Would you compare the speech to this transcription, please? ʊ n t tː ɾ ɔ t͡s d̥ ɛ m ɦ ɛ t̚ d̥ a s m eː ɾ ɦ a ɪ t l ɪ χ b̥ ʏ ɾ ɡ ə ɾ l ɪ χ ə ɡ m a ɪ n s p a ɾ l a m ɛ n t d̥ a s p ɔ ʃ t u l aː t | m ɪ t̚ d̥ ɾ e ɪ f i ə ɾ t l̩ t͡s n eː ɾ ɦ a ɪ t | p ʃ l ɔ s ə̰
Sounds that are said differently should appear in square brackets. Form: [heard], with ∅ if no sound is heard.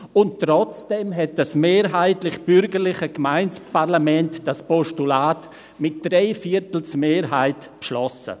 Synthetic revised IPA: ʊ n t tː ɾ ɔ t͡s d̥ ɛ m ɦ ɛ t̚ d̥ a s m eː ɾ ɦ a ɪ t l ɪ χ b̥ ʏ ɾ ɡ ə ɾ l ɪ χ ə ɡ m a ɪ n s p a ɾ l a m ɛ n t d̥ a s p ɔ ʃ t u l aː t | m ɪ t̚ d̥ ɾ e ɪ f i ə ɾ t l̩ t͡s [m] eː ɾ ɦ a ɪ t | p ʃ l ɔ s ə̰